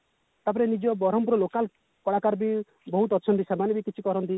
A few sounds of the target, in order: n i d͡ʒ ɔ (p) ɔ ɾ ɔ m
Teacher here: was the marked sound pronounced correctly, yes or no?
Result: no